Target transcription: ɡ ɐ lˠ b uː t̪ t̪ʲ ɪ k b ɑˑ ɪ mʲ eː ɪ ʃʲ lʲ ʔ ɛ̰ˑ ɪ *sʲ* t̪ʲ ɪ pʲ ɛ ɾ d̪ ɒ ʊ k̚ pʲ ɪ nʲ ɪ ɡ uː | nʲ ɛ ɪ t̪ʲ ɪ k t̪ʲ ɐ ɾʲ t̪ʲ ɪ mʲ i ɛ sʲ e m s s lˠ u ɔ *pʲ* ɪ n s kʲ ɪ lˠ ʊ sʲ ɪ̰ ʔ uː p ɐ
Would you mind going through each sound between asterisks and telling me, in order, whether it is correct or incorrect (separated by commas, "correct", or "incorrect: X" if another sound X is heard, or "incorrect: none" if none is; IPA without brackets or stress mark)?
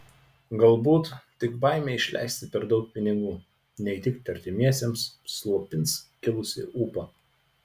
correct, correct